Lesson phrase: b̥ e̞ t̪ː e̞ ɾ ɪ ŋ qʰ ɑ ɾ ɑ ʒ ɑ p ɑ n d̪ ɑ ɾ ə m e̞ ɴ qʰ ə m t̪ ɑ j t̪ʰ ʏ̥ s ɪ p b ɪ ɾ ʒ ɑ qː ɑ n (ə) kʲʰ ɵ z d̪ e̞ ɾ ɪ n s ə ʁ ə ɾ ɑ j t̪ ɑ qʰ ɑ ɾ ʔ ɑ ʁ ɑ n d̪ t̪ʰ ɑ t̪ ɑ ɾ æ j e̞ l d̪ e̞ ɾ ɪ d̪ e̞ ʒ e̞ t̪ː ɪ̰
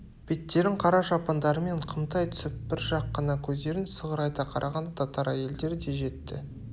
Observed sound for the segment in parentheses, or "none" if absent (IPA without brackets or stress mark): ɑ